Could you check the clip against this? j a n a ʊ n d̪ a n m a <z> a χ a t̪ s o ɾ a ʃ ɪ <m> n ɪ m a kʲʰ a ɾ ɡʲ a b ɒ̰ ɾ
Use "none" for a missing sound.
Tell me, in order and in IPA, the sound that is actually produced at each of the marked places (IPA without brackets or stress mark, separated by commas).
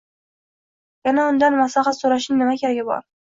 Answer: s, ŋ